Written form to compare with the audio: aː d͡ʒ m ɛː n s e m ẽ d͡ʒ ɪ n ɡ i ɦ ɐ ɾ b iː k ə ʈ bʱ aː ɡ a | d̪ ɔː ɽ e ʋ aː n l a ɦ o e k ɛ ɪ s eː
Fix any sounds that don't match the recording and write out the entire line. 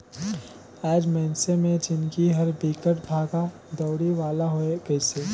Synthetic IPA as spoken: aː d͡ʒ m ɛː n s e m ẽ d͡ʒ ɪ n k i ɦ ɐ ɾ b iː k ə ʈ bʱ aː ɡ a | d̪ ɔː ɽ i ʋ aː l a ɦ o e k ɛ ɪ s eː